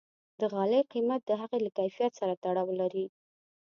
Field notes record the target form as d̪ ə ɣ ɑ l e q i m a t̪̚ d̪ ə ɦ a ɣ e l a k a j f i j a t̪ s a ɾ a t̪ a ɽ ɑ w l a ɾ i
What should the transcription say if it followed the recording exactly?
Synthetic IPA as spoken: d̪ ə ɣ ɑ l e q i m a t̪̚ d̪ ə ɦ a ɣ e l a k a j f i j a t̪ s a ɾ a t̪ a ɽ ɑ w l a ɾ i